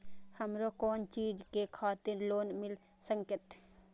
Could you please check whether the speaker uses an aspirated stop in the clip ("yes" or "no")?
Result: yes